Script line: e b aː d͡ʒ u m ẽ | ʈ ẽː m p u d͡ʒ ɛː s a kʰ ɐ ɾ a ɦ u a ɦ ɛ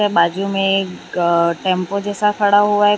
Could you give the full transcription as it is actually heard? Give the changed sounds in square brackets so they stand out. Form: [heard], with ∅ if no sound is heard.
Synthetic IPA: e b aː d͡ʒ u m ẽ | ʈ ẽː m p [o] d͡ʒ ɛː s a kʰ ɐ [ɽ] a ɦ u a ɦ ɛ